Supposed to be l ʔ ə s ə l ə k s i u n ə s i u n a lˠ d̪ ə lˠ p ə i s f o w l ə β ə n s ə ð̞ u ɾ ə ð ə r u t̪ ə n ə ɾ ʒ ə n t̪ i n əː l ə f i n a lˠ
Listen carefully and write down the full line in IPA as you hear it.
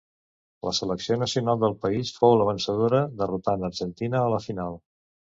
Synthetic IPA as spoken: l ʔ ə s ə l ə k s i o n ə s i u n a lˠ d̪ ə lˠ p ə i s f o w l ə β ə n s ə ð̞ o ɾ ə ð ə r u t̪ a n ə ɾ ʒ ə n t̪ i n əː l ə f i n a lˠ